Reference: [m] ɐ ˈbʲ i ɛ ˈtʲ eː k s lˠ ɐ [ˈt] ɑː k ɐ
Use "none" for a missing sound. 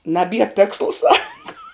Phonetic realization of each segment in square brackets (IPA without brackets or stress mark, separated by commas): n, s